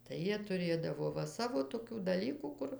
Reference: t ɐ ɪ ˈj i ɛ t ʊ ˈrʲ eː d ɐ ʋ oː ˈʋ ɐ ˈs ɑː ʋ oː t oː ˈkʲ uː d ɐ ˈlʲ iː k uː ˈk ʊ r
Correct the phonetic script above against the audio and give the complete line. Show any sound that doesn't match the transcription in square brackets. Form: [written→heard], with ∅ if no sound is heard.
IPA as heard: t ɐ ɪ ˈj i ɛ t ʊ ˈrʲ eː d ɐ ʋ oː ˈʋ ɐ ˈs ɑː ʋ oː t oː ˈkʲ uː d ɐ ˈlʲ iː k uː ˈk ʊ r